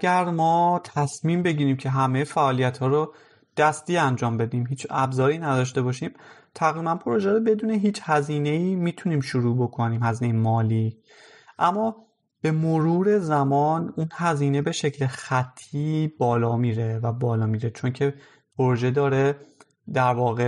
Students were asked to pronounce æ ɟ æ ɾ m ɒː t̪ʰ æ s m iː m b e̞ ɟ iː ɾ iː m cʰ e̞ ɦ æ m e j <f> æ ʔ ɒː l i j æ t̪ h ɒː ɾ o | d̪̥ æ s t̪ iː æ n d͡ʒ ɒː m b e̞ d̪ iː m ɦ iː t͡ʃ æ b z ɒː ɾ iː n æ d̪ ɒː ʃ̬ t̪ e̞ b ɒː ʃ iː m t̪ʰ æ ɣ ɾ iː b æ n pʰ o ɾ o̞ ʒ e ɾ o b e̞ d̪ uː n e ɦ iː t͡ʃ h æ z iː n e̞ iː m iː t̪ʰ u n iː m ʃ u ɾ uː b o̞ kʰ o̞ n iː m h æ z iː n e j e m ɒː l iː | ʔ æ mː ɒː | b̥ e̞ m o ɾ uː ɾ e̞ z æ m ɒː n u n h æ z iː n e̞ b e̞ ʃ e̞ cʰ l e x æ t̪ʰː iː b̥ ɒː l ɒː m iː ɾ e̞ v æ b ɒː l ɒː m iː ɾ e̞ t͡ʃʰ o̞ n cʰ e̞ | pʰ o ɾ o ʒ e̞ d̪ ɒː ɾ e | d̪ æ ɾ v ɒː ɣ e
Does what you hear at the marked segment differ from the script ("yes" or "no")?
no